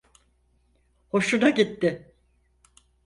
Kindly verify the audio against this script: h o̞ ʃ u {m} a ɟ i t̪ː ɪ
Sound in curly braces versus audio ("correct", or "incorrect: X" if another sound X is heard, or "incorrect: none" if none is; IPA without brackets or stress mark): incorrect: n